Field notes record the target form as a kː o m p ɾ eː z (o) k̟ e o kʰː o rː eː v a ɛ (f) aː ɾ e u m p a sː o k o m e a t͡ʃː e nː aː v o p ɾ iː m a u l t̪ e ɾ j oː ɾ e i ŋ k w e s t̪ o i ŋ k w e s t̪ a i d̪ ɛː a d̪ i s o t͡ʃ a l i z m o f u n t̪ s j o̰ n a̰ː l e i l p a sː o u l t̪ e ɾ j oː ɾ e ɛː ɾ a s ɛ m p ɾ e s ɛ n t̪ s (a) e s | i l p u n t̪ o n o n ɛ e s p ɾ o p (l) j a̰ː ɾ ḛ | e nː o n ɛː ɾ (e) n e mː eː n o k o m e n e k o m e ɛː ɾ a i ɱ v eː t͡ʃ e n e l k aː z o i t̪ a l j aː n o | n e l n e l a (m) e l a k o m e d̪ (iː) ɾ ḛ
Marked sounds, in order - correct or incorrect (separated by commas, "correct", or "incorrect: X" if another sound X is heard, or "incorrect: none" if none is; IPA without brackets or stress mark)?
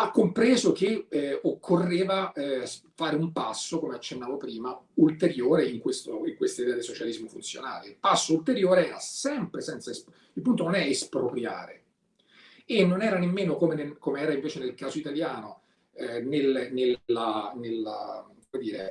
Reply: correct, correct, correct, incorrect: ɾ, incorrect: a, incorrect: n, correct